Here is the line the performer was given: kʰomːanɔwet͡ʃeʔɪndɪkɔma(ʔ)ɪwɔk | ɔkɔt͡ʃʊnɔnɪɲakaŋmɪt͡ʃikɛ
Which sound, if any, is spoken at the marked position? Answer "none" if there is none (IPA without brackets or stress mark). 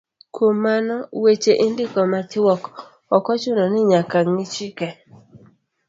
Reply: t